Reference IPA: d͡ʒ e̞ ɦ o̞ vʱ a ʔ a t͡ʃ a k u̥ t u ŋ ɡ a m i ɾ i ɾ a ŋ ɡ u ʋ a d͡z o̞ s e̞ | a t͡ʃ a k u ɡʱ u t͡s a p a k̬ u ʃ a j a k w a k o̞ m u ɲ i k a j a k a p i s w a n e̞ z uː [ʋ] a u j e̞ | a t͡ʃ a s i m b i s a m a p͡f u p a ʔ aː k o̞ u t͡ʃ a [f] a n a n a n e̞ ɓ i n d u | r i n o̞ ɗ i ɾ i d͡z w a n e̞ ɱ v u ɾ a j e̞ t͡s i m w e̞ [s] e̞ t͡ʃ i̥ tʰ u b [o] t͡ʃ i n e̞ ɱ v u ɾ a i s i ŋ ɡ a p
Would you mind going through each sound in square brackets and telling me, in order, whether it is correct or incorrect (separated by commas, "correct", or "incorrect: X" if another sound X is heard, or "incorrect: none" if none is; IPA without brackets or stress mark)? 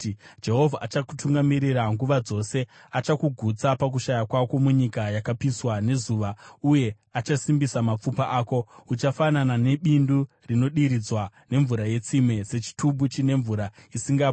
correct, correct, correct, incorrect: u